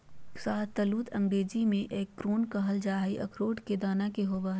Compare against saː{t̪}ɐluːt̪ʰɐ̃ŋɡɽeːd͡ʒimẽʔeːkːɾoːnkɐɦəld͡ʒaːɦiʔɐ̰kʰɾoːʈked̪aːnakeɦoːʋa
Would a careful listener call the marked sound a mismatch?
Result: no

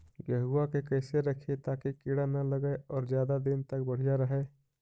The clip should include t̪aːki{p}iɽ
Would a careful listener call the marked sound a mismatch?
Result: yes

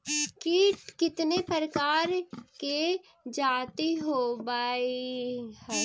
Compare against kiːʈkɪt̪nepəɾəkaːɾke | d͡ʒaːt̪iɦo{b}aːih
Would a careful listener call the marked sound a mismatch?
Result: no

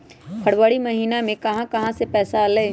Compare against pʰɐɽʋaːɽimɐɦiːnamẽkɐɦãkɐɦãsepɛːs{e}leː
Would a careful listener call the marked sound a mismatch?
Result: yes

